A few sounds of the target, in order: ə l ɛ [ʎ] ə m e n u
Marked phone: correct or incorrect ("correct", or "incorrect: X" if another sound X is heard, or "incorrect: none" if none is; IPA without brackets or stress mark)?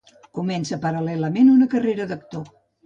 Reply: incorrect: l